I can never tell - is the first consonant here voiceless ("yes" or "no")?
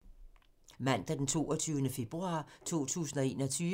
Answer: no